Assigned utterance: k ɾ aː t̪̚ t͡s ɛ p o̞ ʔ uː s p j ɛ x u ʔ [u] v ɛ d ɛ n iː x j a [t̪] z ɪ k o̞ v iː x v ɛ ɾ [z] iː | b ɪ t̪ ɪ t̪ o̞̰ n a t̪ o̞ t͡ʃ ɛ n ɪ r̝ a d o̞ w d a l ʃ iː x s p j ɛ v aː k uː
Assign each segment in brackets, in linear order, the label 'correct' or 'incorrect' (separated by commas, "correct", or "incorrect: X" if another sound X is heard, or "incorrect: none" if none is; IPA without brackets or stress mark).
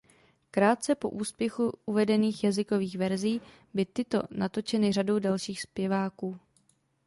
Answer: correct, incorrect: none, correct